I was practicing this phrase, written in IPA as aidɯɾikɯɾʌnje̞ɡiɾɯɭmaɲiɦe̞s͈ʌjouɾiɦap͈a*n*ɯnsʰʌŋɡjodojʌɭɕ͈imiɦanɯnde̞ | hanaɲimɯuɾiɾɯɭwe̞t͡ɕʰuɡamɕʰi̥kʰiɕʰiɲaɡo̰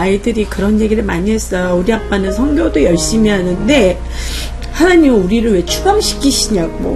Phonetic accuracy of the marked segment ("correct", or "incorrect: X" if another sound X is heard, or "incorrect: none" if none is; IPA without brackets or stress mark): correct